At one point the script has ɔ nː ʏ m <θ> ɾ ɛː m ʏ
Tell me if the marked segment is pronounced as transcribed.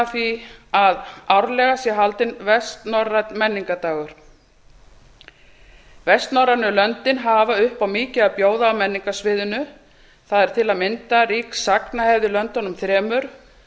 yes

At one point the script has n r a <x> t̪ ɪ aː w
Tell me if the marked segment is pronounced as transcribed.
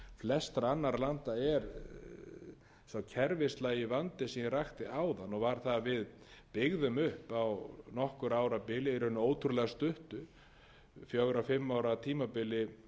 yes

